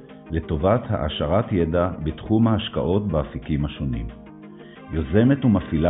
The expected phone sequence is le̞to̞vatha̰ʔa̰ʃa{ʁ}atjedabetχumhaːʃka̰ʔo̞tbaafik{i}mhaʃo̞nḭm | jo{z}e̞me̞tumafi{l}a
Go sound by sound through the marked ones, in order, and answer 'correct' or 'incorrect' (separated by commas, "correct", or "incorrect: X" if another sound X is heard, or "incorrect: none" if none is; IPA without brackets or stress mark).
correct, correct, correct, correct